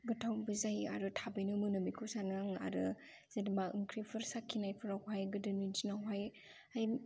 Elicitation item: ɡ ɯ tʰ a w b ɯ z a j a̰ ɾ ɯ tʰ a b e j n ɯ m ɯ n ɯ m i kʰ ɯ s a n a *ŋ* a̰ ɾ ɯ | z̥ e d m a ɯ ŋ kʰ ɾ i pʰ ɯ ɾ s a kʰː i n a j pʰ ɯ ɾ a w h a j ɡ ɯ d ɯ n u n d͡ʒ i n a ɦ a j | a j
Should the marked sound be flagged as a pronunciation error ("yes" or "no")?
no